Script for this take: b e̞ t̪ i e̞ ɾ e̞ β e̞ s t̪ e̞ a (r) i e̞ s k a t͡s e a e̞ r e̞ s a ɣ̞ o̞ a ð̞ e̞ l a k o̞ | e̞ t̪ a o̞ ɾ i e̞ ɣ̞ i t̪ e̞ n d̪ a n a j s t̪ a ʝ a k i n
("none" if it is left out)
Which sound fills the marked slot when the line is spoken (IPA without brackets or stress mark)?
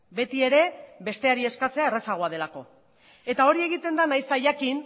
ɾ